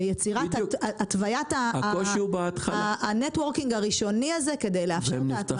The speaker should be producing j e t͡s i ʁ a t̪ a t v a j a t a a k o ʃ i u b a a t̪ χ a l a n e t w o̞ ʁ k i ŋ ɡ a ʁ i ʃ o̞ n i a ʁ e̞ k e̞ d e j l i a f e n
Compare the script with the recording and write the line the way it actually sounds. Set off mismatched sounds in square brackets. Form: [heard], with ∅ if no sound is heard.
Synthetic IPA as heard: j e t͡s i ʁ a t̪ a t v a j a t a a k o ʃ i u b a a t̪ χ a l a n e t w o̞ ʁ k i ŋ ɡ a ʁ i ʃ o̞ n i a [z] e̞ k e̞ d e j l [e] a f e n